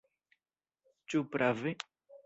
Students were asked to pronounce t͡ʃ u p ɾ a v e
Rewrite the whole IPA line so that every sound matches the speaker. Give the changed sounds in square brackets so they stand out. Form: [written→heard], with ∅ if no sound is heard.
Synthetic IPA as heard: t͡ʃ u p ɾ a v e